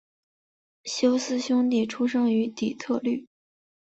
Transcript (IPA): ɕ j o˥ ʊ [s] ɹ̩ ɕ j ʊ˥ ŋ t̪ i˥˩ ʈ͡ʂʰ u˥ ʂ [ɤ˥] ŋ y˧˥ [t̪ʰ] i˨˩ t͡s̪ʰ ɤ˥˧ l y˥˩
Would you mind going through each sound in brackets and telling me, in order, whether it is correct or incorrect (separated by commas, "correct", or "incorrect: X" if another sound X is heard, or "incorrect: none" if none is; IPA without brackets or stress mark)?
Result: correct, correct, incorrect: t̪